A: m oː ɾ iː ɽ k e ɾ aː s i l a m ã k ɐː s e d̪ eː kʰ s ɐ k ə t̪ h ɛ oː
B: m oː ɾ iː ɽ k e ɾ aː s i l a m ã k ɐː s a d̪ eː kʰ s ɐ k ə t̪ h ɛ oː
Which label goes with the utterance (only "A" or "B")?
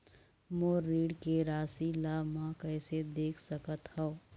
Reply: A